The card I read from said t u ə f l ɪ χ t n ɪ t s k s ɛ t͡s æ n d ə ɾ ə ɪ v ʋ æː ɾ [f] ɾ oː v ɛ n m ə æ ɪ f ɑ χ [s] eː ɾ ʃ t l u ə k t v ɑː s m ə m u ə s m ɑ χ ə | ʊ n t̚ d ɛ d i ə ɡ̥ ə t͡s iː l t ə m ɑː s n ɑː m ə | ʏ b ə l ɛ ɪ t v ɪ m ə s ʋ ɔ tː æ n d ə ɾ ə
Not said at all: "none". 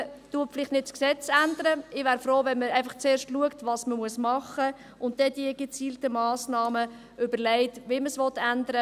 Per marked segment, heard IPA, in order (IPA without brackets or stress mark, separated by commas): f, t͡s